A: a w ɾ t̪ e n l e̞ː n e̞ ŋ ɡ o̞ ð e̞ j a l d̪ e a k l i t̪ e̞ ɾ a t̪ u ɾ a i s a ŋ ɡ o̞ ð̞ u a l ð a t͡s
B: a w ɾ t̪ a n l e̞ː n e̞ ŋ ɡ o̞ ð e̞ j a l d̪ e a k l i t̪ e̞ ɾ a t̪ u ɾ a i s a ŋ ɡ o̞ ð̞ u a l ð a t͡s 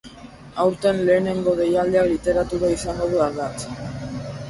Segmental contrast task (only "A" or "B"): A